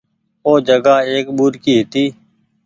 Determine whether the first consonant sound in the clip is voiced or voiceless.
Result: voiced